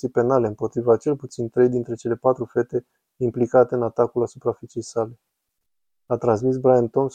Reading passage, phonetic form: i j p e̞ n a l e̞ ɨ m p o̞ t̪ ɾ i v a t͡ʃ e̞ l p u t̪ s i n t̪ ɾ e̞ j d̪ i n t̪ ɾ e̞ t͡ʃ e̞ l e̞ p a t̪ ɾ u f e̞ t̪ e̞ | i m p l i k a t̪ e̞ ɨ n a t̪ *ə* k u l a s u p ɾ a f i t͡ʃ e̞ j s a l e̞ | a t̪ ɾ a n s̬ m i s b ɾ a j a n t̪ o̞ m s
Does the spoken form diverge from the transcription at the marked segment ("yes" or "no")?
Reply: yes